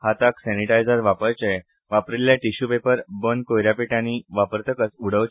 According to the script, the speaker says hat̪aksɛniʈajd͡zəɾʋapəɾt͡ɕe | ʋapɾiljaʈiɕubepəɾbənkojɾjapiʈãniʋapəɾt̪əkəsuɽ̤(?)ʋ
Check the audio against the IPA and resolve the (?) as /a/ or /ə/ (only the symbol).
ə